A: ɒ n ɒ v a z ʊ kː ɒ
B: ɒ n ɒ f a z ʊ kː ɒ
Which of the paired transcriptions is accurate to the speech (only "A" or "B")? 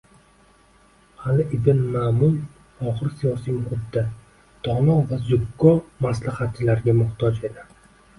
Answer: A